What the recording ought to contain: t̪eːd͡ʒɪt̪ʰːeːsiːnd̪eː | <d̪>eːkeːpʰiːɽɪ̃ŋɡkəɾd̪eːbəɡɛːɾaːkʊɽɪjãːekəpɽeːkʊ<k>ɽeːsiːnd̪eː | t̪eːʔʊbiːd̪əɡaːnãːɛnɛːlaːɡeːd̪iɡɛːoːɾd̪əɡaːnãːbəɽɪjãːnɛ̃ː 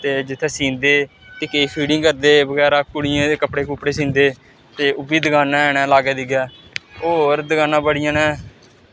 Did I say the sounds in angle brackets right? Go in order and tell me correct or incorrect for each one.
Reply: incorrect: t̪, incorrect: p

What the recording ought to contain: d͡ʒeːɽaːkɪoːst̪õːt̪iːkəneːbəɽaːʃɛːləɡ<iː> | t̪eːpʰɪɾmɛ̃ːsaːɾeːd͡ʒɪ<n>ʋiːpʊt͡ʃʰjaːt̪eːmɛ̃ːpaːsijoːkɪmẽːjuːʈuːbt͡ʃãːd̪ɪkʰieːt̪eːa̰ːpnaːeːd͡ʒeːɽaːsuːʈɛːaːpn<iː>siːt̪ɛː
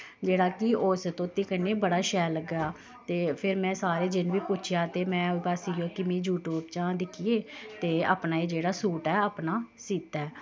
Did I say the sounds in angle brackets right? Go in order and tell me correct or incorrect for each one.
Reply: incorrect: aː, correct, incorrect: aː

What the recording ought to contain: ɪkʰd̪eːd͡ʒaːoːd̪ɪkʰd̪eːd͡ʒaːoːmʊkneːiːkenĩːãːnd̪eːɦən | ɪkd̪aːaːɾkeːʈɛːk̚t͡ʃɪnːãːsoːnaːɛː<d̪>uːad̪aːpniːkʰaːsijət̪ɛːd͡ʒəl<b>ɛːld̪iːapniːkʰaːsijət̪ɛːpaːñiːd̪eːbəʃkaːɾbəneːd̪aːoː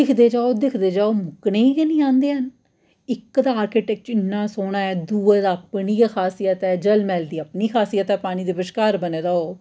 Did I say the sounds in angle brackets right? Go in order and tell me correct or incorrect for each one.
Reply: correct, incorrect: m

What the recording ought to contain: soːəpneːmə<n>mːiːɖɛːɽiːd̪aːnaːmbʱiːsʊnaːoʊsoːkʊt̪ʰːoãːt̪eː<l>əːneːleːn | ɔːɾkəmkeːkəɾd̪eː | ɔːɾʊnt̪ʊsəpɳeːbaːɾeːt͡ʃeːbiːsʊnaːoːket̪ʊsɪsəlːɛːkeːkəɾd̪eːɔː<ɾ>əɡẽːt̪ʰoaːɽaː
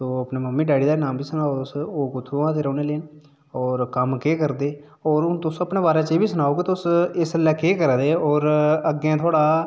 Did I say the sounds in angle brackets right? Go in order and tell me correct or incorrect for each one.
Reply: incorrect: none, incorrect: ɾ, correct

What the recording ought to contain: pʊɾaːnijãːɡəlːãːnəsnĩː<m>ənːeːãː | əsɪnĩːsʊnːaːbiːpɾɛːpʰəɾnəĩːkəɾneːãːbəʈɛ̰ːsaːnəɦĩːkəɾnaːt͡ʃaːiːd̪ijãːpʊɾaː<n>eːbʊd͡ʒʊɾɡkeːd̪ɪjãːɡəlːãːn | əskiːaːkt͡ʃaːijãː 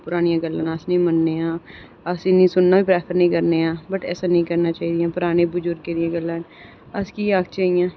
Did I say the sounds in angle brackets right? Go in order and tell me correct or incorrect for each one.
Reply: correct, correct

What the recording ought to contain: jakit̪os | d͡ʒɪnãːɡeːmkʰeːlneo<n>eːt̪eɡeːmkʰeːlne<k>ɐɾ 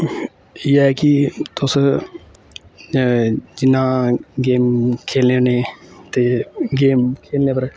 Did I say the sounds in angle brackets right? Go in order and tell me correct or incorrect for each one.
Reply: correct, incorrect: p

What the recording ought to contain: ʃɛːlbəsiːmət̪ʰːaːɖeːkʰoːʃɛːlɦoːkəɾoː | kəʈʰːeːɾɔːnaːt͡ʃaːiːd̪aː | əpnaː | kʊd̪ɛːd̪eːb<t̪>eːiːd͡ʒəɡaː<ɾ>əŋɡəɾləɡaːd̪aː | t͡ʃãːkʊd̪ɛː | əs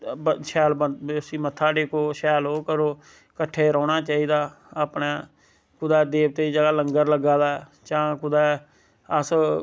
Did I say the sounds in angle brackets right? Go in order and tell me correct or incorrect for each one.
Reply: correct, incorrect: l

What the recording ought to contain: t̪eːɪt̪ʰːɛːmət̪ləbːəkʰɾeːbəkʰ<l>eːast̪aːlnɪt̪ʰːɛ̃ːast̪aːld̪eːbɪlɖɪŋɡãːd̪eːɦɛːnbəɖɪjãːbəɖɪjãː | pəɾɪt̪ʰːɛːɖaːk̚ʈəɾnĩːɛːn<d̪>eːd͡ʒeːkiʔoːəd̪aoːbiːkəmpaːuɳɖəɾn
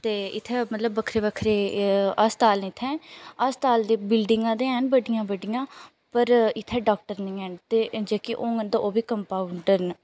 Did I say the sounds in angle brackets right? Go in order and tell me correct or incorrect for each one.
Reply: incorrect: ɾ, incorrect: t̪

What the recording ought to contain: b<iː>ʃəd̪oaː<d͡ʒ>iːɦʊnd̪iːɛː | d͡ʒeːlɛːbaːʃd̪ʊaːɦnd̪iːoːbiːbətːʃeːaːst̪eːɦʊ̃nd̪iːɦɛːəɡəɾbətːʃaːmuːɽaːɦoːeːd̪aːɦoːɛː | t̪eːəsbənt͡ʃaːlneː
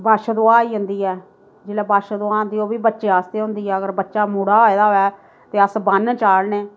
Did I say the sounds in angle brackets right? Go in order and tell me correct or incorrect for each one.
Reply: incorrect: aː, incorrect: none

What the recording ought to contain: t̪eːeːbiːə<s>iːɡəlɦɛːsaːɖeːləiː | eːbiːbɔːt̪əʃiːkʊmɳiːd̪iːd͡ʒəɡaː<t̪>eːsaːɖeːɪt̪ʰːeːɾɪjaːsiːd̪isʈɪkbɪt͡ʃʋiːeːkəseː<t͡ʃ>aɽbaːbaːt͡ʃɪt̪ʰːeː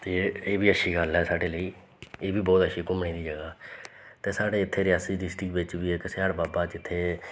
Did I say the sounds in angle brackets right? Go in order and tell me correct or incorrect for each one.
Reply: incorrect: ʃ, correct, incorrect: none

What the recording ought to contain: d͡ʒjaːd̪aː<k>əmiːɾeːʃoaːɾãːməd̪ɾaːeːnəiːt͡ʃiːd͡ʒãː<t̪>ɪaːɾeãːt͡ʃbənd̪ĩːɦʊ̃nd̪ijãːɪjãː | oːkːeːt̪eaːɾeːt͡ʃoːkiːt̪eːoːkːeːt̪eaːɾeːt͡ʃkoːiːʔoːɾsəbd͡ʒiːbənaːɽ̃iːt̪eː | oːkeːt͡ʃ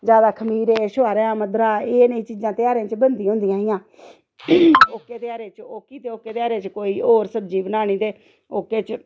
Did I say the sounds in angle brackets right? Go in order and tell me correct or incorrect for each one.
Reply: incorrect: kʰ, correct

